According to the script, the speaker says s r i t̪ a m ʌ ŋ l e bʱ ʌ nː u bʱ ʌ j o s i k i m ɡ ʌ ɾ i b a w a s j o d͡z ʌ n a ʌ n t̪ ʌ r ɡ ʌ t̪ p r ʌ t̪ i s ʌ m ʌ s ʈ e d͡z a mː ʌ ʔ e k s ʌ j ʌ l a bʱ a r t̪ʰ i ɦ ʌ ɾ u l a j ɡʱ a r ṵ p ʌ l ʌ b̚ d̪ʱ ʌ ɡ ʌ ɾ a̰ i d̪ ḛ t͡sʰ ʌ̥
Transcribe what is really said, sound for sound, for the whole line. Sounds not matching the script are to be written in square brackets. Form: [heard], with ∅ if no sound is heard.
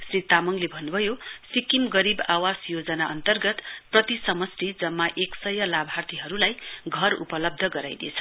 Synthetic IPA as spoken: s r i t̪ a m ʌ ŋ l e bʱ ʌ nː u bʱ ʌ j o s i k i m ɡ ʌ ɾ i b a w a s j o d͡z ʌ n a ʌ n t̪ ʌ r ɡ ʌ t̪ p r ʌ t̪ i s ʌ m ʌ s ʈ [i] d͡z [ʌ] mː [a] ʔ e k s ʌ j ʌ l a bʱ a r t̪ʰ i ɦ ʌ ɾ u l a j ɡʱ [ʌ] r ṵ p ʌ l ʌ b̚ d̪ʱ ʌ ɡ ʌ ɾ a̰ [j] d̪ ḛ t͡sʰ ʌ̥